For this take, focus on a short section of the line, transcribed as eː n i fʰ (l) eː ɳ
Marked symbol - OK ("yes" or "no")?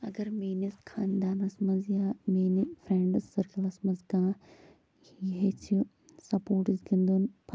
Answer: no